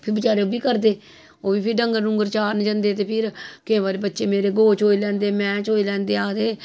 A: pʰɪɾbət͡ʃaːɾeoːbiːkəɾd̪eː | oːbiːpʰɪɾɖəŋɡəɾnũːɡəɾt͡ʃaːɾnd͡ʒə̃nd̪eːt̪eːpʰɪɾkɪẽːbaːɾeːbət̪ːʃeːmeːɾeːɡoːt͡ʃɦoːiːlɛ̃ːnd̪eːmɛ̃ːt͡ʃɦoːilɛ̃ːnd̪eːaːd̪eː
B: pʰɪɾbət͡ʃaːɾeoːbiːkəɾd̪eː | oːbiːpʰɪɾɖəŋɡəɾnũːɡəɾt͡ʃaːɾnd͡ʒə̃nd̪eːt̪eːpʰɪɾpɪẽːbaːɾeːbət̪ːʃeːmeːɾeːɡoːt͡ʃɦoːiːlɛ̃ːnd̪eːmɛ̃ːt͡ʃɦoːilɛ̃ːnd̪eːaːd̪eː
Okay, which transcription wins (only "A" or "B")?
A